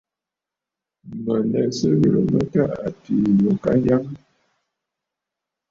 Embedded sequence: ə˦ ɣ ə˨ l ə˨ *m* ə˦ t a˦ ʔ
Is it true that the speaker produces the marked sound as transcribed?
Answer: yes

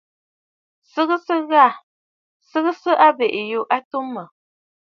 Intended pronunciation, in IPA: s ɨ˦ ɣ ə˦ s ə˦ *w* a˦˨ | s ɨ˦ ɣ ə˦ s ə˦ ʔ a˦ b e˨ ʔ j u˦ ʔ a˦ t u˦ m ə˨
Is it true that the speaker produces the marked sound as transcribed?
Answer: no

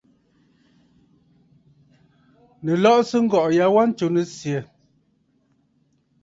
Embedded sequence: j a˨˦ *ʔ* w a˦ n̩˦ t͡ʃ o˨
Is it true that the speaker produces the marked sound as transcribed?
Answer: no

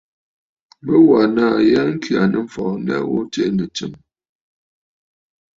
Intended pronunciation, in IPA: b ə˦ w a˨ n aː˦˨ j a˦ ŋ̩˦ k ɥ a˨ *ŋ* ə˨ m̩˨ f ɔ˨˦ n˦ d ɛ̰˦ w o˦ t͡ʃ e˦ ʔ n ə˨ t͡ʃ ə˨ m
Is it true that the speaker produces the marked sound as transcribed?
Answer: no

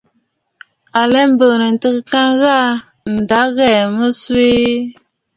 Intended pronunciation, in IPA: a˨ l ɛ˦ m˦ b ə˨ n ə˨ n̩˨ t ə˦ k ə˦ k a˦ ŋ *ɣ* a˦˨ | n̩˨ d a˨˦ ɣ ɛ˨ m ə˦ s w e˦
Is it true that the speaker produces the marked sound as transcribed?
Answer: yes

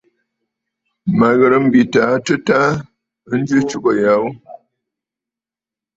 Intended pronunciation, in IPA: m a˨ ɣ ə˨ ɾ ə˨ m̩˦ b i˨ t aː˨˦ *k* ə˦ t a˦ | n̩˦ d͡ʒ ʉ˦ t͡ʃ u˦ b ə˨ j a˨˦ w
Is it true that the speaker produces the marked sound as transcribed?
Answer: no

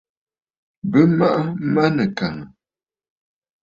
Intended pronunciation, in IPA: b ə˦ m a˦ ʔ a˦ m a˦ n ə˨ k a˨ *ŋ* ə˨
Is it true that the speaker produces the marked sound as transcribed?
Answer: yes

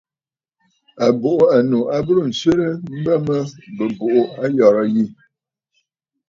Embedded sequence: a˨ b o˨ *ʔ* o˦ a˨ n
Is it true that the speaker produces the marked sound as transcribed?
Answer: yes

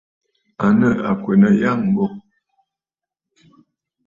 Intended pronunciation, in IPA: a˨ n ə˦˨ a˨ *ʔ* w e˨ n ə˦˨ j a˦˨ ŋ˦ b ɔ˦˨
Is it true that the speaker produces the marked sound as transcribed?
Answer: no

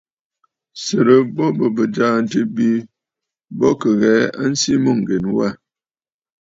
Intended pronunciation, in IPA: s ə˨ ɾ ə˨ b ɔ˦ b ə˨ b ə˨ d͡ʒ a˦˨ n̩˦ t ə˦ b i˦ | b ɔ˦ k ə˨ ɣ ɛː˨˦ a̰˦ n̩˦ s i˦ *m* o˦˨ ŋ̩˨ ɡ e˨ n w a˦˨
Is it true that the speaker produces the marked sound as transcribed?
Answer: yes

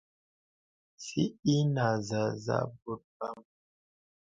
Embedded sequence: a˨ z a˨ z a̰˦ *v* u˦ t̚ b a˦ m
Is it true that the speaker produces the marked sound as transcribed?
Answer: no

